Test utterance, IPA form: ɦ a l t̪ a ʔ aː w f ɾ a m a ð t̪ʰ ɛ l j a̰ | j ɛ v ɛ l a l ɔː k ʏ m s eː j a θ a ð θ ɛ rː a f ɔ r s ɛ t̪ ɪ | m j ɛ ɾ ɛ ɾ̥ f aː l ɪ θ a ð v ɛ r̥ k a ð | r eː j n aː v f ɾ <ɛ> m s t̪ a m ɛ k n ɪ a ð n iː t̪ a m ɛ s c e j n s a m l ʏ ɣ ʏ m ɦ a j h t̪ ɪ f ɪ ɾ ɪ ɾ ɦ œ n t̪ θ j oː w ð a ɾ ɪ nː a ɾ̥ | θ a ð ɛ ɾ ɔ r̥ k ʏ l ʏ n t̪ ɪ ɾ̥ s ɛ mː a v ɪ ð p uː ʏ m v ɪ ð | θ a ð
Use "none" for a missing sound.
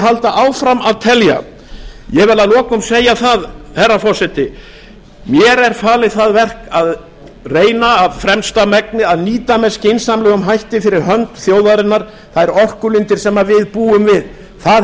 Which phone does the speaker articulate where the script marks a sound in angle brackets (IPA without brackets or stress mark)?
ɛ